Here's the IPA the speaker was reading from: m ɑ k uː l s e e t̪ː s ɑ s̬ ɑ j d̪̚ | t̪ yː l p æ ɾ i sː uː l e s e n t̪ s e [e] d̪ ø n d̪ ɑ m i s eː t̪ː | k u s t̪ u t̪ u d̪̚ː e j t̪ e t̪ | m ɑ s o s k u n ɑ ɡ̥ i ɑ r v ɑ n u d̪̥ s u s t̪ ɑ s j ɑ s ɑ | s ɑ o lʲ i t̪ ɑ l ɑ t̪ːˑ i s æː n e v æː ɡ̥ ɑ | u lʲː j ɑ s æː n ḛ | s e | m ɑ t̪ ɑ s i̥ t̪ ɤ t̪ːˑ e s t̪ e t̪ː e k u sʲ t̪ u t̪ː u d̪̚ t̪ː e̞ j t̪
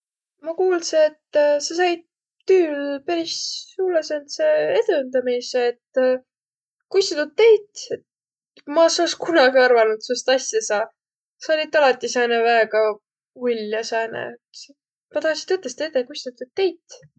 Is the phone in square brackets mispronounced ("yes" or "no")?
no